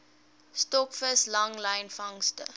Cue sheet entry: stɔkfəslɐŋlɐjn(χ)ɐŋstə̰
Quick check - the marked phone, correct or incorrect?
incorrect